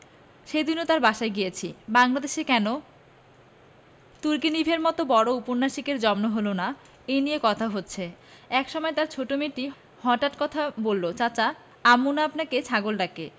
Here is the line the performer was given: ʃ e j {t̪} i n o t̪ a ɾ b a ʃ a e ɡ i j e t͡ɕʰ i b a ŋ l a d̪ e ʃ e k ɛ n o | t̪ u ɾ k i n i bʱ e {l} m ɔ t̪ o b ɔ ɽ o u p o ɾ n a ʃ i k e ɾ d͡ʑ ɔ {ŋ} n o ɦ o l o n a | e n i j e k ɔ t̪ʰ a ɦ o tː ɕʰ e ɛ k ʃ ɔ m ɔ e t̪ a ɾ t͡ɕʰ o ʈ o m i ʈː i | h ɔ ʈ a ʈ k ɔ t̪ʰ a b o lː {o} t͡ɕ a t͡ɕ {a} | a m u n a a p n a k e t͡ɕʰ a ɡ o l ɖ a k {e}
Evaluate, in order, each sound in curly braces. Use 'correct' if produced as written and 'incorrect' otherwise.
incorrect, incorrect, incorrect, correct, correct, correct

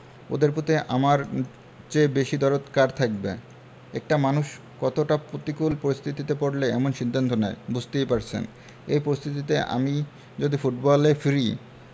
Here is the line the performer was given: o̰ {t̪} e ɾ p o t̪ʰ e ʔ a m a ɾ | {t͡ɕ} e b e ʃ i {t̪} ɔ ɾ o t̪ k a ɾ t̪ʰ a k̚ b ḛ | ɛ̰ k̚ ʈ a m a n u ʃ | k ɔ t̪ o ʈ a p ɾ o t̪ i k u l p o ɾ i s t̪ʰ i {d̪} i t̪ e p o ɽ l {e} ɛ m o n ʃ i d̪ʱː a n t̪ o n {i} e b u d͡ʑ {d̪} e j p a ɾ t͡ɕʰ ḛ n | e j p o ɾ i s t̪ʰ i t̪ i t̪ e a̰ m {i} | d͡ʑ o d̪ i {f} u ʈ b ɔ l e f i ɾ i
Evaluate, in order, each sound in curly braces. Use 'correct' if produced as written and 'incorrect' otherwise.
incorrect, correct, incorrect, incorrect, correct, incorrect, incorrect, correct, correct

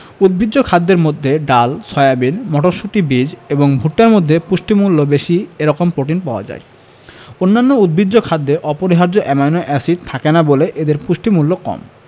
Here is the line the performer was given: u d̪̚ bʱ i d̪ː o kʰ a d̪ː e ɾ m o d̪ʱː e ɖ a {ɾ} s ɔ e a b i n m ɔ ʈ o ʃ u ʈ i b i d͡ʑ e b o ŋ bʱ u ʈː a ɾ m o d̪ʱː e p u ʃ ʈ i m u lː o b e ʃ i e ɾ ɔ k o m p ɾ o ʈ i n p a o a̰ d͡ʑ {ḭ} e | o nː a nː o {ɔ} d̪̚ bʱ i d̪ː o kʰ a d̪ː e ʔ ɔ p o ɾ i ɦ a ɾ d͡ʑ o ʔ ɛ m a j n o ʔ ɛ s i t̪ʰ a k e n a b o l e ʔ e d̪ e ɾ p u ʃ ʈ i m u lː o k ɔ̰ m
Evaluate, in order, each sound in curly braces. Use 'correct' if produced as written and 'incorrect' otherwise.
incorrect, incorrect, incorrect

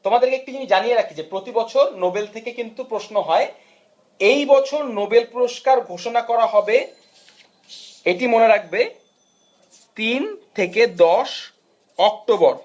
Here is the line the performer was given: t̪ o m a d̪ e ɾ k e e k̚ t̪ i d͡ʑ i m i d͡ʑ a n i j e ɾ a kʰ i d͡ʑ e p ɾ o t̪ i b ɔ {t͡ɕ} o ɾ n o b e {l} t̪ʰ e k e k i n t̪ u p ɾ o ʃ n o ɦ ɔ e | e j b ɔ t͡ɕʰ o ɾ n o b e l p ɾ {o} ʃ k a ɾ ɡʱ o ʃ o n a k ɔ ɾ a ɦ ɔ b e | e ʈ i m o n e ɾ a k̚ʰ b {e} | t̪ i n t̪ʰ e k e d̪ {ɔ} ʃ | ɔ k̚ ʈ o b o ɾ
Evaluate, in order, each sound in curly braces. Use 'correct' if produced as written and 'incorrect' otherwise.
incorrect, correct, correct, correct, correct

